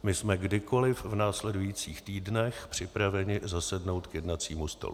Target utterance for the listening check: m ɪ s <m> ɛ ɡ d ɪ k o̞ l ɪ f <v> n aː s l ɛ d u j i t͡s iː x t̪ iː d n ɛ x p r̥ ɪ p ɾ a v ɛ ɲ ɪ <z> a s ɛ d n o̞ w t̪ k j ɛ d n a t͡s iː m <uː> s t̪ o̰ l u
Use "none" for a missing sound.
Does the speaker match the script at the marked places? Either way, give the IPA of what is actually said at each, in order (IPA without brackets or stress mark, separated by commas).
m, v, z, u